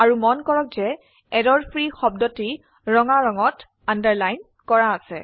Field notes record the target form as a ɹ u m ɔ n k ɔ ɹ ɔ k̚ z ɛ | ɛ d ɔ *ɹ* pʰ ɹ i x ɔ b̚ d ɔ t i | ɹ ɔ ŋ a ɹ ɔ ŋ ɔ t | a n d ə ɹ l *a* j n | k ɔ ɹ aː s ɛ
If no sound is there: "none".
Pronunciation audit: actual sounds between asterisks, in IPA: ɹ, a

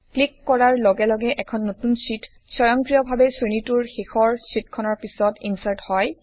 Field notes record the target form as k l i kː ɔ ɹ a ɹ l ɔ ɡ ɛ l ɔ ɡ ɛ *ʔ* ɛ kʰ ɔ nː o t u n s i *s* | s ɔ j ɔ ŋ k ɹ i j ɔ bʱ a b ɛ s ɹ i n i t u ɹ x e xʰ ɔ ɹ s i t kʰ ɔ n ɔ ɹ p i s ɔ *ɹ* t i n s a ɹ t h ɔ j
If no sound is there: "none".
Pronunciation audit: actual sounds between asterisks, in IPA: ʔ, t, none

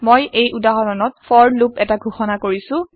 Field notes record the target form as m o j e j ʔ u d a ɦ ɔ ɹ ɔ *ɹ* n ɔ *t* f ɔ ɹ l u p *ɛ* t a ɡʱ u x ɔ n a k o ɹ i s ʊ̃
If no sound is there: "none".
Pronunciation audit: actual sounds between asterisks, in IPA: none, t, ɛ

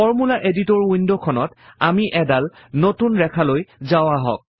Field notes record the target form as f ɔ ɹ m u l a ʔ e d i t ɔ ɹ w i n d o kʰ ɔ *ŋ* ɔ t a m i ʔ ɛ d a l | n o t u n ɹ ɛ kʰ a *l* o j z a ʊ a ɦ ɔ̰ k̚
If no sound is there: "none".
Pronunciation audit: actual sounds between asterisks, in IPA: n, l

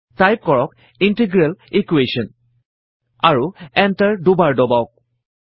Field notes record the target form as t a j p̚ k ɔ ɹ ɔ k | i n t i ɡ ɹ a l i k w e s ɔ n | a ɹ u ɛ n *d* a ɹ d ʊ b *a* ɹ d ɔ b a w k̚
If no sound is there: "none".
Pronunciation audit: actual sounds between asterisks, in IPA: t, a

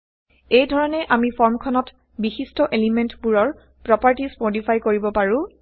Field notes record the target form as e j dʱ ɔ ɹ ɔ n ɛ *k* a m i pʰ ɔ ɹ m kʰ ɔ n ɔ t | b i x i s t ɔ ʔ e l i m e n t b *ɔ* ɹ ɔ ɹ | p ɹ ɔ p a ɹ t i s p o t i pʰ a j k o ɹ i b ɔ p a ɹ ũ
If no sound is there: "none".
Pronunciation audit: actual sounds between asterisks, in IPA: ʔ, u

